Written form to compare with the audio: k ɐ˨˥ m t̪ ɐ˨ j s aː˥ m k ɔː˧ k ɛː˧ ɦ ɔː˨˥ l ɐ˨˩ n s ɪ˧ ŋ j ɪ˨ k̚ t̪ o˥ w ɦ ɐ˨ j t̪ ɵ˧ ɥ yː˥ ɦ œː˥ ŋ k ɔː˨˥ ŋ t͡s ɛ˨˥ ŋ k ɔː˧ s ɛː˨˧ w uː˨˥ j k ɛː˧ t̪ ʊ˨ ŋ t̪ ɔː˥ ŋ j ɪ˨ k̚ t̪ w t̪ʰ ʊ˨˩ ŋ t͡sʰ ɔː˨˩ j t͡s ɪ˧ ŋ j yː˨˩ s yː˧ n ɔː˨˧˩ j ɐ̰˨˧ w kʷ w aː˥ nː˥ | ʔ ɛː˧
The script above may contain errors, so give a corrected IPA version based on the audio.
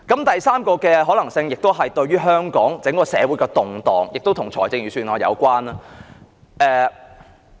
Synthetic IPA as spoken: k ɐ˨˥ m t̪ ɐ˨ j s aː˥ m k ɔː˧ k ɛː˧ ɦ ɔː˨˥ l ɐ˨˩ ŋ s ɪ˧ ŋ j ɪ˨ k̚ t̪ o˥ w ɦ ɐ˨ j t̪ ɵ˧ ɥ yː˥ ɦ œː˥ ŋ k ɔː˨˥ ŋ t͡s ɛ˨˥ ŋ k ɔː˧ s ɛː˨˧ w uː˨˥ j k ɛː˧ t̪ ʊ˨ ŋ t̪ ɔː˨˩ ŋ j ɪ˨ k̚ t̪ w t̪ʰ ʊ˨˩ ŋ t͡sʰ ɔː˨˩ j t͡s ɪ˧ ŋ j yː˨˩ s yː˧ n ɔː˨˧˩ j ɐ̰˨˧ w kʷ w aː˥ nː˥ | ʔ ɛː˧